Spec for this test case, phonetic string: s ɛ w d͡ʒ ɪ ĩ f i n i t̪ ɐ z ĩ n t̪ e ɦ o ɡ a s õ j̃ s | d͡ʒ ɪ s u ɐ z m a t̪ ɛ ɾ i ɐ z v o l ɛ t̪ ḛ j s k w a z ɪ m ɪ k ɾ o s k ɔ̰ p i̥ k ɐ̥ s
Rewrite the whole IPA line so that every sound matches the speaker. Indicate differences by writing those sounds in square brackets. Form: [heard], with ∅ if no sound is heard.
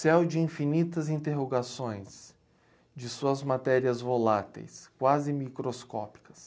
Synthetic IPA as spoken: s ɛ w d͡ʒ ɪ ĩ f i n i t̪ ɐ z ĩ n t̪ e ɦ o ɡ a s õ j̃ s | d͡ʒ ɪ s u ɐ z m a t̪ ɛ ɾ i ɐ z v o l [a] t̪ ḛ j s k w a z ɪ m [i] k ɾ o s k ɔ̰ p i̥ k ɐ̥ s